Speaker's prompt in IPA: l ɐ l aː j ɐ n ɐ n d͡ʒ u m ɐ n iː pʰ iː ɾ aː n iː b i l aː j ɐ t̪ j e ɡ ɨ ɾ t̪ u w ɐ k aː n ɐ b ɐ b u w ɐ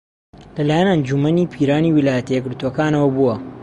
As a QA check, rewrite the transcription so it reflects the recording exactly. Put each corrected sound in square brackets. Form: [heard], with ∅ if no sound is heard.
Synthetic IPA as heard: l ɐ l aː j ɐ n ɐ n d͡ʒ u m ɐ n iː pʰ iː ɾ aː n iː [w] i l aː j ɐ t̪ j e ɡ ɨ ɾ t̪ u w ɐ k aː n ɐ [w] ɐ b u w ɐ